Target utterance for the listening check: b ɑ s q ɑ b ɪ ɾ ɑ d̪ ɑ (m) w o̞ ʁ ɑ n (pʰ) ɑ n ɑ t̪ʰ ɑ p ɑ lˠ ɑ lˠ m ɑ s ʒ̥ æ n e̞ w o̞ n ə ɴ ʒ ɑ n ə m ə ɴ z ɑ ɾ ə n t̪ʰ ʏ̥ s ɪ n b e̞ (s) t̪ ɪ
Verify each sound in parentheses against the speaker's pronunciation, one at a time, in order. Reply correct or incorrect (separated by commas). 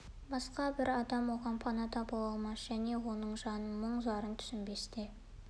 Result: correct, correct, correct